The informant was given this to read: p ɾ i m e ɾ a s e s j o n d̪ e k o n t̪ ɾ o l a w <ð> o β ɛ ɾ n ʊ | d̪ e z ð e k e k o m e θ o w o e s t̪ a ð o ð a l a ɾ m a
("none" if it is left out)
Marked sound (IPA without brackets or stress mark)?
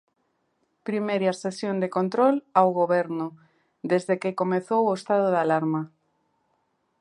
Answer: ɣ